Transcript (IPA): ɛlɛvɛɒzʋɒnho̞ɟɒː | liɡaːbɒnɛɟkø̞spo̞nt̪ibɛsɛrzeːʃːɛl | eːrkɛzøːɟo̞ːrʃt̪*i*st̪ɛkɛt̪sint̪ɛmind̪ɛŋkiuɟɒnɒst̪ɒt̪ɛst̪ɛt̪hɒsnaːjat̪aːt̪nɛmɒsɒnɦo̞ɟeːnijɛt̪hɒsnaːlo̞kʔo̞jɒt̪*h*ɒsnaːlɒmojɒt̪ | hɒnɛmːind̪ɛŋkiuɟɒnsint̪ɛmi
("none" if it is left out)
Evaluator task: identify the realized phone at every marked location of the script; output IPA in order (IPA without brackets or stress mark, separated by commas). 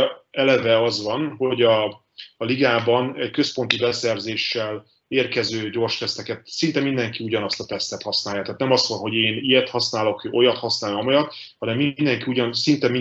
ɛ, h